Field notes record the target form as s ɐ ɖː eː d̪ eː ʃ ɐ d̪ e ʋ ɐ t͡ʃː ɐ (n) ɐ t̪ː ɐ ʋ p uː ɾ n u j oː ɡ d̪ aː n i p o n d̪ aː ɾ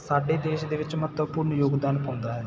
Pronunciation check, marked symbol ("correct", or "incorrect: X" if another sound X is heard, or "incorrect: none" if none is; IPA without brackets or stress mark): incorrect: m